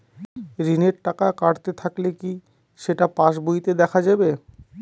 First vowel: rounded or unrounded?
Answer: unrounded